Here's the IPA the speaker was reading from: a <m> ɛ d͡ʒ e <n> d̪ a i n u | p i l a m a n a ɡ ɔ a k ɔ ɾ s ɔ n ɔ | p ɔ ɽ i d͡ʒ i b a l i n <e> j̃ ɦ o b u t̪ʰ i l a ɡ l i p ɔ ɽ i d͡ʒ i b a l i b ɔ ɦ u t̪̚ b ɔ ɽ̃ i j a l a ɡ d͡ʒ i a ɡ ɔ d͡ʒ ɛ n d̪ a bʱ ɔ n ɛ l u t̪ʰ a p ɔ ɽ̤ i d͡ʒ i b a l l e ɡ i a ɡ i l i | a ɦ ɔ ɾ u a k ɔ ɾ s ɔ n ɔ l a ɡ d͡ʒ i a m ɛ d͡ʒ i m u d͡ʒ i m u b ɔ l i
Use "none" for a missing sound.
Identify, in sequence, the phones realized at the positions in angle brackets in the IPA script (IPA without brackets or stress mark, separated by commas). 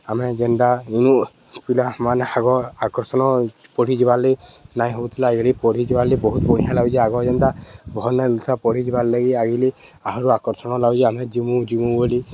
m, n, a